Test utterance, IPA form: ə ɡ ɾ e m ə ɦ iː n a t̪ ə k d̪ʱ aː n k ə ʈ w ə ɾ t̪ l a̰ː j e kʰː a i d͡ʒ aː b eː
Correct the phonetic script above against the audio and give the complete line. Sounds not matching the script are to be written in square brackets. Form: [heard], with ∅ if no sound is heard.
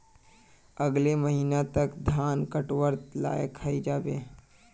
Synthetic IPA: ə ɡ [l] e m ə ɦ iː n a t̪ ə k d̪ʱ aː n k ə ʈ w ə ɾ t̪ l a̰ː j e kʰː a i d͡ʒ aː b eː